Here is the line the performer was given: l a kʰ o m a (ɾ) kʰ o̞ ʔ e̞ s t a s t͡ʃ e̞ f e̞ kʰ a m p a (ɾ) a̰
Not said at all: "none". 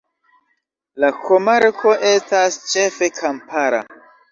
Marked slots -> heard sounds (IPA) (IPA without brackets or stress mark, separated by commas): ɾ, ɾ